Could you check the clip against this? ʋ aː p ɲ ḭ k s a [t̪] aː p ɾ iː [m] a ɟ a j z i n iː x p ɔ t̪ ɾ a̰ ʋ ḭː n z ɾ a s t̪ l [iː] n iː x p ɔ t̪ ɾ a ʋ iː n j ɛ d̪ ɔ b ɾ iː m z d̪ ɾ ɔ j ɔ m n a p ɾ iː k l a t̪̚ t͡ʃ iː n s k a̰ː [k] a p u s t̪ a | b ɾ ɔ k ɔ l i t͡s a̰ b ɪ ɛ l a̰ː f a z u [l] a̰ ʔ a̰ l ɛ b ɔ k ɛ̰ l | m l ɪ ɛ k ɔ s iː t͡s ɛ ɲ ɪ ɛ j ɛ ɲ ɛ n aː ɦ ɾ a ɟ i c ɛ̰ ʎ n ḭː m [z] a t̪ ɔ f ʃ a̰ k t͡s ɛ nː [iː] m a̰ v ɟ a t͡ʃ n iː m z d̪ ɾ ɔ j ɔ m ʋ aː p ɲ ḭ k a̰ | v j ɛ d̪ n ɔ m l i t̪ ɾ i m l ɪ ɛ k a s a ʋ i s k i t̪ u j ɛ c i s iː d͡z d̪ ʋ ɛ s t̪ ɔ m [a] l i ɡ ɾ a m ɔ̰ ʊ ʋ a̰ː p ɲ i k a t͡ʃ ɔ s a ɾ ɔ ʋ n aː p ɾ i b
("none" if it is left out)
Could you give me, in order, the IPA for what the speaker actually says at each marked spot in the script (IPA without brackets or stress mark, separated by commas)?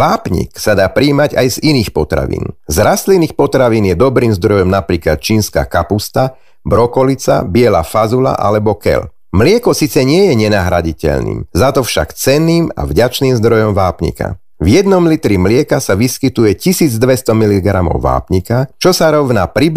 d̪, m, i, k, l, z, iː, i